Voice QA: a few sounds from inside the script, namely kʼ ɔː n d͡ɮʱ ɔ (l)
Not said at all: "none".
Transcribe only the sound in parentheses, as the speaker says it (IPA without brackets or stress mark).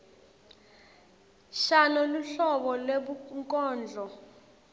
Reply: none